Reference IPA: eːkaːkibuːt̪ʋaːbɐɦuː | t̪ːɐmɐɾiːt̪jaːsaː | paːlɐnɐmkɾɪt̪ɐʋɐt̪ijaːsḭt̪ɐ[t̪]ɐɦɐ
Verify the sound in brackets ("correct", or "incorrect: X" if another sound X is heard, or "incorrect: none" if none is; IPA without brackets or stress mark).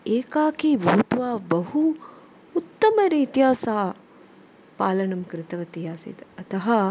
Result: correct